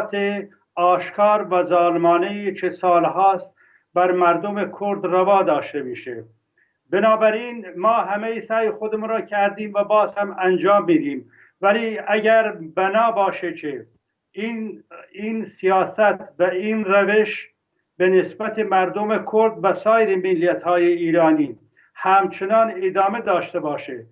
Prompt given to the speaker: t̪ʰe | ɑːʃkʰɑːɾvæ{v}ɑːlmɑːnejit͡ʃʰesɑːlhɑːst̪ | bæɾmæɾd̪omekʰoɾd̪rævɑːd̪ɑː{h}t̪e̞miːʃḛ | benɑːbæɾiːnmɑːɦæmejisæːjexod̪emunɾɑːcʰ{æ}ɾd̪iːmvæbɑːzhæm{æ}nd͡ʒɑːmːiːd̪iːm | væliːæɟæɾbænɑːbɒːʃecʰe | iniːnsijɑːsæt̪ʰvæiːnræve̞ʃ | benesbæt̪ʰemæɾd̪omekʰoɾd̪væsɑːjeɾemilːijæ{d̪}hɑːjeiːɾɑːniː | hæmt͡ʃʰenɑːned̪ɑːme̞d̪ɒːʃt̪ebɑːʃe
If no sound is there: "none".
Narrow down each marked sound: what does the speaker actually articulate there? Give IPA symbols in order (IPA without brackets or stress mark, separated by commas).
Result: z, ʃ, æ, æ, t̪